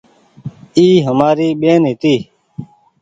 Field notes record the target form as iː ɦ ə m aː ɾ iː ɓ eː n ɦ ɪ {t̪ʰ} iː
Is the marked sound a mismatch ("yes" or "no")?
yes